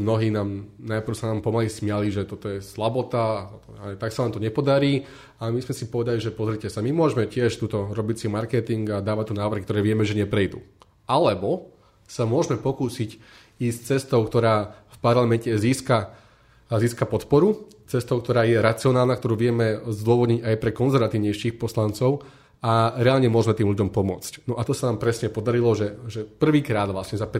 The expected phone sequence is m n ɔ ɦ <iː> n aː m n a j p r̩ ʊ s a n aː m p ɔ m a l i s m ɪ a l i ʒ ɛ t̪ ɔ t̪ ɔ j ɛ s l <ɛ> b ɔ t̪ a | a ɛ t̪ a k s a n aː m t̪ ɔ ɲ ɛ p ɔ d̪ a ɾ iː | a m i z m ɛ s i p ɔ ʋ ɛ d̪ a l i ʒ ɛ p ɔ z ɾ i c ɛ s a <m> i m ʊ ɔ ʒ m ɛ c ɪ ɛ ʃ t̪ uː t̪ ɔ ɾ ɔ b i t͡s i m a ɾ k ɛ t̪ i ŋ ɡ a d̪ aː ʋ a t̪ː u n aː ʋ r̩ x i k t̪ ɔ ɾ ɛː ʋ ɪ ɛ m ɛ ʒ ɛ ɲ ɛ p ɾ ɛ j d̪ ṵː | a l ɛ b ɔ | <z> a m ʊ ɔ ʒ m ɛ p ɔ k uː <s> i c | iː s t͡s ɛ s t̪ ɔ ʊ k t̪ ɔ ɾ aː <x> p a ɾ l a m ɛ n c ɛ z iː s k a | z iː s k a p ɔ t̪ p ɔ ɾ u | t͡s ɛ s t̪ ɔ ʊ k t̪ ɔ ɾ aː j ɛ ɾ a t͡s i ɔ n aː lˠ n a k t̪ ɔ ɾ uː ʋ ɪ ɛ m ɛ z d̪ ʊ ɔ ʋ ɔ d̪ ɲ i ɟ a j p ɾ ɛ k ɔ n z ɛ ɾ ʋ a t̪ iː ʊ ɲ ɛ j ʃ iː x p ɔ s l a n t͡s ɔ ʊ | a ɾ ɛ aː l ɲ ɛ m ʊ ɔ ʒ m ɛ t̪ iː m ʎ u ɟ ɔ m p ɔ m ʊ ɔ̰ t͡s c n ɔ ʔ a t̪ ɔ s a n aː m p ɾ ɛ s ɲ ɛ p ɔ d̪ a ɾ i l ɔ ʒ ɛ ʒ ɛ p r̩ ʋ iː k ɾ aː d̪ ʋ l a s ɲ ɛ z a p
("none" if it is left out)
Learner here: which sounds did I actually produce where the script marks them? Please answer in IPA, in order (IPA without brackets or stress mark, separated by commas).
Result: iː, a, m, s, s, f